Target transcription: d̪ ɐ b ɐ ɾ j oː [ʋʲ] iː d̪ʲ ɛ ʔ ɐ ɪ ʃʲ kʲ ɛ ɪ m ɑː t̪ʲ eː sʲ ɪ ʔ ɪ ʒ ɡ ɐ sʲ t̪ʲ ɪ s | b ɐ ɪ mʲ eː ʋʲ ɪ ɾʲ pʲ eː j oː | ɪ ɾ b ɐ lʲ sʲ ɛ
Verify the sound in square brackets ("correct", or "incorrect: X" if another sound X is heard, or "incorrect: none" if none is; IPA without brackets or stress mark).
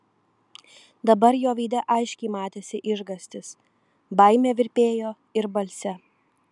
correct